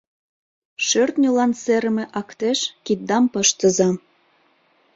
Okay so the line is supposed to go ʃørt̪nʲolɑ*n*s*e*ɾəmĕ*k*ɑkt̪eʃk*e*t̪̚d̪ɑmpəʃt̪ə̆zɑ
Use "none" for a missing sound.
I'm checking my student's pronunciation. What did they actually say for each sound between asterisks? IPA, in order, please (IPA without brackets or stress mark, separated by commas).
n, e, ʔ, i